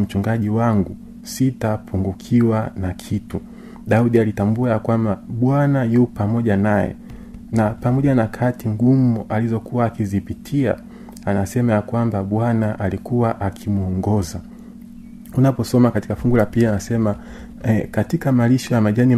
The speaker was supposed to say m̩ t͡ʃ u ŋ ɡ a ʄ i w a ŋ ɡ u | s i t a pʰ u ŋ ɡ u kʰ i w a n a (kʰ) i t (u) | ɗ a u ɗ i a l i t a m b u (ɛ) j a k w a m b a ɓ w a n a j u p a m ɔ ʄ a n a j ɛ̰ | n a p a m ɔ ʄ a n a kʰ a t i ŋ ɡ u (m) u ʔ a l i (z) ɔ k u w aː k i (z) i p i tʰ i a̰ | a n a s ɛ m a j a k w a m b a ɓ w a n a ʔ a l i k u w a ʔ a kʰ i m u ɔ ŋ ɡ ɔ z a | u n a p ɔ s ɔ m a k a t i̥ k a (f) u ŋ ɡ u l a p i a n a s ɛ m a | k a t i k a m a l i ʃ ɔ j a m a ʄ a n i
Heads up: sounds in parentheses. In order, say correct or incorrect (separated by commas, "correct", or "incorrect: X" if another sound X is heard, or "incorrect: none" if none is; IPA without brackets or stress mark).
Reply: correct, correct, incorrect: a, correct, correct, correct, correct